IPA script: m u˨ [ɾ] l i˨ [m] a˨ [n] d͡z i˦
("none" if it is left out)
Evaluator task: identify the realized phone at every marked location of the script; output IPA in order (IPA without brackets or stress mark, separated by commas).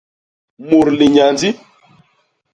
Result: ɾ, ɲ, n